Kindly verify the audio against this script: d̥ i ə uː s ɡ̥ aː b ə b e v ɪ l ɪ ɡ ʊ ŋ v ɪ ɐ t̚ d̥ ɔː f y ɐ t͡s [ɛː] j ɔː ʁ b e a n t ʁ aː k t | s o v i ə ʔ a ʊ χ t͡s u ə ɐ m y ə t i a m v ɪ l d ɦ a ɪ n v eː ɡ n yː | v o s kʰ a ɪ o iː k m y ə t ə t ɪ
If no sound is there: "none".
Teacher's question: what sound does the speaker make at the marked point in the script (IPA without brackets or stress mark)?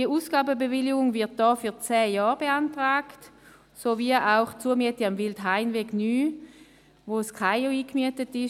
ɛː